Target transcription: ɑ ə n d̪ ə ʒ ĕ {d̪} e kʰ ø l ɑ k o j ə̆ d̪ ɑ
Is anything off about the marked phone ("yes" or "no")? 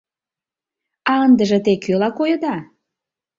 yes